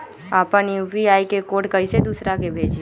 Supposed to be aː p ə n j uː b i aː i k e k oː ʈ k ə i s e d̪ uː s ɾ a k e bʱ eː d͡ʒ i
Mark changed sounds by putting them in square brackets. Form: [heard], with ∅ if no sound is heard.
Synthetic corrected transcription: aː p ə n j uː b i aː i k e k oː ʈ k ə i s e d̪ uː s ɾ a k e bʱ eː d͡ʒ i